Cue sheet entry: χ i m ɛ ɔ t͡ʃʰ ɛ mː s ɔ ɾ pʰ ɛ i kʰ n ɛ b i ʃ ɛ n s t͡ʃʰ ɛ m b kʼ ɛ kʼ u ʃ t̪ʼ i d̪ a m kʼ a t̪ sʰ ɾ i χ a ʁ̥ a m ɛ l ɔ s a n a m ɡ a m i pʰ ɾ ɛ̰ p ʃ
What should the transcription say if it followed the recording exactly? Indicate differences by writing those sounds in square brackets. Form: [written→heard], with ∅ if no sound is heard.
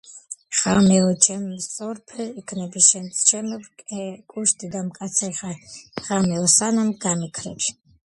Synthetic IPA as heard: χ [i→a] m ɛ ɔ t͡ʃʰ ɛ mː s ɔ ɾ pʰ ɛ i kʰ n ɛ b i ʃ ɛ n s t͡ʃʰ ɛ m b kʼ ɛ kʼ u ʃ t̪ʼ i d̪ a m kʼ a t̪ sʰ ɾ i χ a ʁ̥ a m ɛ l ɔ s a n a m ɡ a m i [pʰ→kʰ] ɾ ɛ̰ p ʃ

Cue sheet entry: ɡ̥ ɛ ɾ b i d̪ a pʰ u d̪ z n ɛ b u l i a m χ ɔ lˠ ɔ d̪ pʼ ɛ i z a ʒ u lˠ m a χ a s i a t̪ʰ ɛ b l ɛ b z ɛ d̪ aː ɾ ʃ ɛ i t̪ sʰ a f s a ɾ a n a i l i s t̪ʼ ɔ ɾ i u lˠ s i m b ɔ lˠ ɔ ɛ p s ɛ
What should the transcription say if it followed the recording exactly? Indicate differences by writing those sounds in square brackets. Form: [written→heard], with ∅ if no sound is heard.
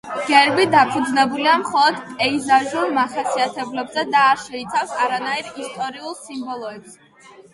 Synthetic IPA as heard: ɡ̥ ɛ ɾ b i d̪ a pʰ u d̪ z n ɛ b u l i a m χ ɔ lˠ ɔ d̪ pʼ ɛ i z a ʒ u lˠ m a χ a s i a t̪ʰ ɛ b l ɛ b z ɛ d̪ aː ɾ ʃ ɛ i t̪ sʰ a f s a ɾ a n a i [l→ɾ] i s t̪ʼ ɔ ɾ i u lˠ s i m b ɔ lˠ ɔ ɛ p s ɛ

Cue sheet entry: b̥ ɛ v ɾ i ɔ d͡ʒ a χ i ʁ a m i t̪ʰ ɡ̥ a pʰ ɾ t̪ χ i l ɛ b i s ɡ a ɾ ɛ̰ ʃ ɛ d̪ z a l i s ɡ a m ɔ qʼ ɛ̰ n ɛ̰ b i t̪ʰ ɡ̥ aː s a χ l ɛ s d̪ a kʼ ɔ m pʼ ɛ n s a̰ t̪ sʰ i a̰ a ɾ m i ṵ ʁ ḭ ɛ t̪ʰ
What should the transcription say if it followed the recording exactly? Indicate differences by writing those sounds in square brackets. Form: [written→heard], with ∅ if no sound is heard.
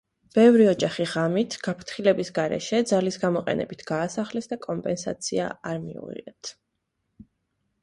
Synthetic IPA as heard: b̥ ɛ v ɾ i ɔ d͡ʒ a χ i ʁ a m i t̪ʰ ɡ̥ a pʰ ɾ t̪ χ i l ɛ b i s ɡ a ɾ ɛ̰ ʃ ɛ d̪ z a l i s ɡ a m ɔ qʼ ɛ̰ n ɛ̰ b i t̪ʰ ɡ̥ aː s a χ l ɛ s d̪ a kʼ ɔ m pʼ ɛ n s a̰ t̪ sʰ i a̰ a ɾ m i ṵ ʁ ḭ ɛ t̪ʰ

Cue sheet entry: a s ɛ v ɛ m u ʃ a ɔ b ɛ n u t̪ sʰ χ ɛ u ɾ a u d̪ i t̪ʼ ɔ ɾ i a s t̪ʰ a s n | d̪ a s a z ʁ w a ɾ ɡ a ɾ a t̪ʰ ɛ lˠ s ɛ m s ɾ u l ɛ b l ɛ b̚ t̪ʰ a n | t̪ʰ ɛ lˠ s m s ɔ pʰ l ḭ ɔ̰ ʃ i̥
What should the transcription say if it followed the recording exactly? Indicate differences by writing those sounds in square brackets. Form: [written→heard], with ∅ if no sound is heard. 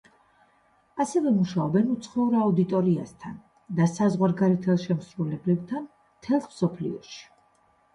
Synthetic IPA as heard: a s ɛ v ɛ m u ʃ a ɔ b ɛ n u t̪ sʰ χ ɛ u ɾ a u d̪ i t̪ʼ ɔ ɾ i a s t̪ʰ a [s→∅] n | d̪ a s a z ʁ w a ɾ ɡ a ɾ [a→ɛ] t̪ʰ ɛ lˠ [s→ʃ] ɛ m s ɾ u l ɛ b l ɛ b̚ t̪ʰ a n | t̪ʰ ɛ lˠ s m s ɔ pʰ l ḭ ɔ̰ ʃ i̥

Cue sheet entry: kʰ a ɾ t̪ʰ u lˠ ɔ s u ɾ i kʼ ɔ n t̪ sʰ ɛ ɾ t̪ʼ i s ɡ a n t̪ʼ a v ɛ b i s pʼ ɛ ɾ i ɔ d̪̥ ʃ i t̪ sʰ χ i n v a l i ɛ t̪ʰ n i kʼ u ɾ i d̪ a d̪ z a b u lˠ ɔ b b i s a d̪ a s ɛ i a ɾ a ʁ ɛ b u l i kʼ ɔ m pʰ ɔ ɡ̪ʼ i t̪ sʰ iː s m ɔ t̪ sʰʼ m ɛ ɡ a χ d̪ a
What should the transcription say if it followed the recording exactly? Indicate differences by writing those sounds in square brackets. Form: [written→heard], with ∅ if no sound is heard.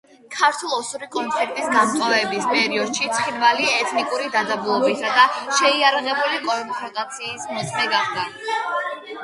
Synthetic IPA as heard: kʰ a ɾ t̪ʰ u lˠ ɔ s u ɾ i kʼ ɔ n t̪ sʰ ɛ ɾ t̪ʼ i s ɡ a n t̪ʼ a v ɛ b i s pʼ ɛ ɾ i ɔ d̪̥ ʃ i t̪ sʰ χ i n v a l i ɛ t̪ʰ n i kʼ u ɾ i d̪ a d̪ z a b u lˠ ɔ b b i s a d̪ a [s→ʃ] ɛ i a ɾ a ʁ ɛ b u l i kʼ ɔ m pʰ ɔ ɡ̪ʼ [i→a] t̪ sʰ iː s m ɔ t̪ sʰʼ m ɛ ɡ a χ d̪ a

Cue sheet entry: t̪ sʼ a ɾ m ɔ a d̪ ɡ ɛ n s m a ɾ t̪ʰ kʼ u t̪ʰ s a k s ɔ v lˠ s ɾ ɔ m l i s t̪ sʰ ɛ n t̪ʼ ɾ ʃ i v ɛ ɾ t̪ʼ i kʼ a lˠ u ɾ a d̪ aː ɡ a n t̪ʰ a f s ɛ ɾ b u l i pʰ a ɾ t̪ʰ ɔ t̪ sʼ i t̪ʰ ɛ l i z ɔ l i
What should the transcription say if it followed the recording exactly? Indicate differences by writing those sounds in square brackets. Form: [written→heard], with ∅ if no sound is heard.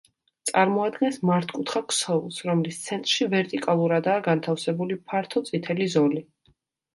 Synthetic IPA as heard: t̪ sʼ a ɾ m ɔ a d̪ ɡ ɛ n s m a ɾ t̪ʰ kʼ u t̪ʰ [s→χ] a k s ɔ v lˠ s ɾ ɔ m l i s t̪ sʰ ɛ n t̪ʼ ɾ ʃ i v ɛ ɾ t̪ʼ i kʼ a lˠ u ɾ a d̪ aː ɡ a n t̪ʰ a f s ɛ [ɾ→∅] b u l i pʰ a ɾ t̪ʰ ɔ t̪ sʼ i t̪ʰ ɛ l i z ɔ l i

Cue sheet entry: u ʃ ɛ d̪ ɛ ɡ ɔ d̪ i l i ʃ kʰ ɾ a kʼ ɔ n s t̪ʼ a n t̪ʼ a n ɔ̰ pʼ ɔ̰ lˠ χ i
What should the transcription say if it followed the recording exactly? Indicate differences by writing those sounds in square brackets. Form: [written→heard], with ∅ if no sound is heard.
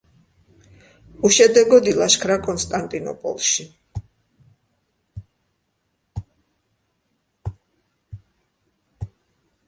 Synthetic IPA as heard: u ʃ ɛ d̪ ɛ ɡ ɔ d̪ i l [i→a] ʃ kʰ ɾ a kʼ ɔ n s t̪ʼ a n t̪ʼ [a→i] n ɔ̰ pʼ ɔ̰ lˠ [χ→ʃ] i

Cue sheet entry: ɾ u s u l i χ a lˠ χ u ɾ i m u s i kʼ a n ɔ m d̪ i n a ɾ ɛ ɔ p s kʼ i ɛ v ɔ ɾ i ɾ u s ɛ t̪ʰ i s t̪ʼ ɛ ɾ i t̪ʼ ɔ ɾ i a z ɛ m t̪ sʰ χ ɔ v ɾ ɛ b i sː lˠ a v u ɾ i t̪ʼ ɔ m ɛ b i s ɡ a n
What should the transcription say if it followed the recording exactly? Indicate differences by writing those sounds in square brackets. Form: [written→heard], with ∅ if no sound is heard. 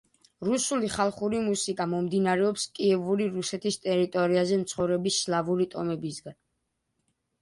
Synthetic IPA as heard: ɾ u s u l i χ a lˠ χ u ɾ i m u s i kʼ a [n→m] ɔ m d̪ i n a ɾ ɛ ɔ p s kʼ i ɛ v [ɔ→u] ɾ i ɾ u s ɛ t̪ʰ i s t̪ʼ ɛ ɾ i t̪ʼ ɔ ɾ i a z ɛ m t̪ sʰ χ ɔ v ɾ ɛ b i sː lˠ a v u ɾ i t̪ʼ ɔ m ɛ b i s ɡ a n

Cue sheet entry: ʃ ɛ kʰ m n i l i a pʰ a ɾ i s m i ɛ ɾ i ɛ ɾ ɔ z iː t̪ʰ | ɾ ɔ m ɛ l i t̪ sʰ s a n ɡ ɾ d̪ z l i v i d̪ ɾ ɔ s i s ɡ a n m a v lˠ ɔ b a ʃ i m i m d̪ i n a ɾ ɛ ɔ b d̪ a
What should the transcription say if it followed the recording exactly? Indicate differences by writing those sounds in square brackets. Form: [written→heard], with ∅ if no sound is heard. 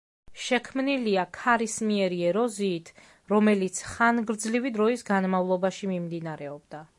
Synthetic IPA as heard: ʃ ɛ kʰ m n i l i a [pʰ→kʰ] a ɾ i s m i ɛ ɾ i ɛ ɾ ɔ z iː t̪ʰ | ɾ ɔ m ɛ l i t̪ sʰ [s→χ] a n ɡ ɾ d̪ z l i v i d̪ ɾ ɔ [s→∅] i s ɡ a n m a v lˠ ɔ b a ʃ i m i m d̪ i n a ɾ ɛ ɔ b d̪ a

